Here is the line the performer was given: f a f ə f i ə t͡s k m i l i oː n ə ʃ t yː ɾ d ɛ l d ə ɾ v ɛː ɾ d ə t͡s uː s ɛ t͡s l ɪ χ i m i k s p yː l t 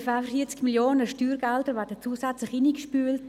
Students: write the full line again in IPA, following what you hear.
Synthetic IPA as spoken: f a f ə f i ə t͡s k m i l j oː n ə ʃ t yː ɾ ɡ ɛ l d ə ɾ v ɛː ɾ d ə t͡s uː s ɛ t͡s l ɪ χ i n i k ʃ p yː l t